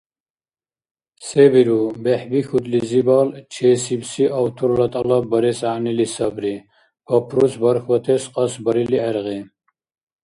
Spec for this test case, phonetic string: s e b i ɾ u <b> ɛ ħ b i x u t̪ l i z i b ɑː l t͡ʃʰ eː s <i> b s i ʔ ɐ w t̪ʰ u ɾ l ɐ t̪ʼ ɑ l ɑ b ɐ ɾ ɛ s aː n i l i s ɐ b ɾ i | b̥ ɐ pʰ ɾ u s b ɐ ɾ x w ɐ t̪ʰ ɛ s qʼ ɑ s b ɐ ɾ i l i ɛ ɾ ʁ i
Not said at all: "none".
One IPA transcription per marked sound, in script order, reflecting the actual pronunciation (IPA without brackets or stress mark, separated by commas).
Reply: b, i